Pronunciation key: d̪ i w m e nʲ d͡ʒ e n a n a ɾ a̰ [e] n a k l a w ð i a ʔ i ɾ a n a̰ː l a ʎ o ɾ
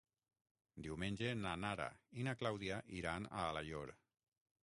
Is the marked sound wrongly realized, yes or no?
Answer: yes